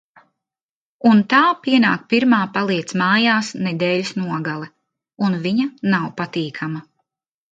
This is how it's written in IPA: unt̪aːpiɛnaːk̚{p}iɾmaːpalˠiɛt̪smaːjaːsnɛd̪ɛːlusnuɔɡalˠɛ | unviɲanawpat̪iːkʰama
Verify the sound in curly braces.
correct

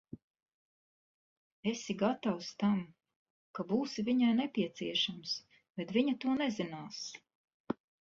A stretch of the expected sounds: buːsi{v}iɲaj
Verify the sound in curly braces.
correct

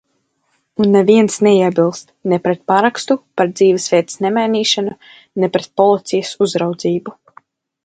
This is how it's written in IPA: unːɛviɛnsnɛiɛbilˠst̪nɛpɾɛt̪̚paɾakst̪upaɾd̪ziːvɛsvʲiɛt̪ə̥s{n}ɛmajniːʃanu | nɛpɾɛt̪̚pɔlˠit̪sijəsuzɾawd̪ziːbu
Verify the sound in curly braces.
correct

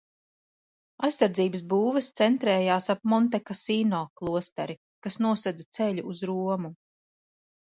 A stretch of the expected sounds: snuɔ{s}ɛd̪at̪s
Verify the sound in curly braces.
correct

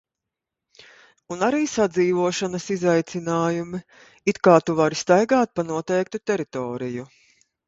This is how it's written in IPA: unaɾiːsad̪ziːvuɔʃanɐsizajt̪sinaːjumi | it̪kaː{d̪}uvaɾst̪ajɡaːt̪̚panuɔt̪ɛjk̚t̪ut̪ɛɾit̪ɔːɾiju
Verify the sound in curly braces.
incorrect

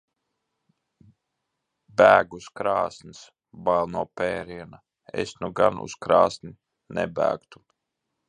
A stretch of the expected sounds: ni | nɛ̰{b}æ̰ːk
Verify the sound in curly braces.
correct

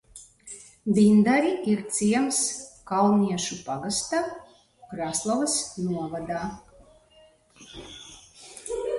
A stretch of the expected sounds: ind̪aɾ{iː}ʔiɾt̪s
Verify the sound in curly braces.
incorrect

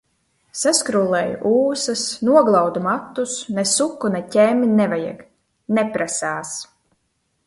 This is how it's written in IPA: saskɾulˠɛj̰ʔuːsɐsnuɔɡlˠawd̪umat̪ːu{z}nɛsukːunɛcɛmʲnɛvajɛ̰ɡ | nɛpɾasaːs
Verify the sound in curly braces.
incorrect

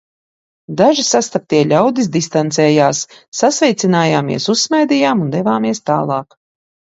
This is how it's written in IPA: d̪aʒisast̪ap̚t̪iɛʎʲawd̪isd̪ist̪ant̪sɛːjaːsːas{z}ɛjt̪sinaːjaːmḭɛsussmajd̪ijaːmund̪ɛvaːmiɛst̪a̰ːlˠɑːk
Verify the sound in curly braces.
incorrect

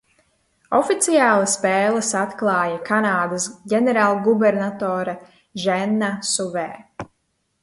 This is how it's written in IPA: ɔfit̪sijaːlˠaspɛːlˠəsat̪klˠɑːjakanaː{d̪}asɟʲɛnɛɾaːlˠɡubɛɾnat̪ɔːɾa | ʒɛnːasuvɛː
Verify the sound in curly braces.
correct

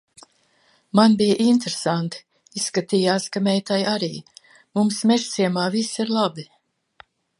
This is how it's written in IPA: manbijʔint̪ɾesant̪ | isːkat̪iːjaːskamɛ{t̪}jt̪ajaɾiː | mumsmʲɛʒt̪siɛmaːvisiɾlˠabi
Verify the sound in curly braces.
incorrect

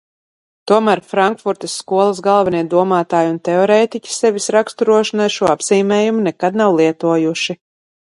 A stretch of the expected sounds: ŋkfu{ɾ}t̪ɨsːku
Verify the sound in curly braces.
correct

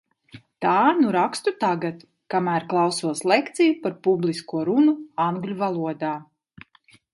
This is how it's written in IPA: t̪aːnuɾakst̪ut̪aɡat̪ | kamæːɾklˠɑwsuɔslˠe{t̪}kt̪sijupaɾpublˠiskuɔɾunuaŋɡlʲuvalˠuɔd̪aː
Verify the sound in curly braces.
incorrect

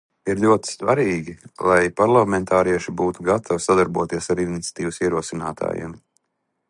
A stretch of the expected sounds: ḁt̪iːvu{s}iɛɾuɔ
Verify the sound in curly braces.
correct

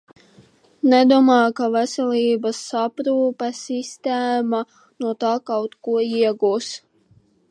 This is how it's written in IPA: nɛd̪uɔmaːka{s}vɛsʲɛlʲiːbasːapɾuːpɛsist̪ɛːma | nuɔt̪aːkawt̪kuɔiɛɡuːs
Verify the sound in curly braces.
incorrect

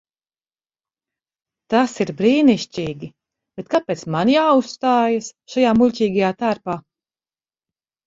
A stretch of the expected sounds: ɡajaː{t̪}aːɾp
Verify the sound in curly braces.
correct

